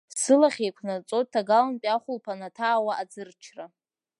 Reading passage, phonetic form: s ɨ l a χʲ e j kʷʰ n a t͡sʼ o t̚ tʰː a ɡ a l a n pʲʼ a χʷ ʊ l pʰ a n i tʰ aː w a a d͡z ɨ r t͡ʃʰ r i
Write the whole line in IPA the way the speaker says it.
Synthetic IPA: s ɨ l a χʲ e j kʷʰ n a t͡sʼ o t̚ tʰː a ɡ a l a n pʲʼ a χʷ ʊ l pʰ a n a tʰ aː w a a d͡z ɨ r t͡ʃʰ r a